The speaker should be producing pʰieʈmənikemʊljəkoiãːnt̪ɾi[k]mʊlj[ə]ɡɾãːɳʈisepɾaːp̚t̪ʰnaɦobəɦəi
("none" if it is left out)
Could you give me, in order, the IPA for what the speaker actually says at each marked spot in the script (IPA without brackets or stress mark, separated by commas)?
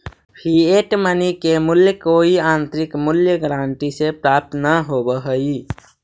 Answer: k, ə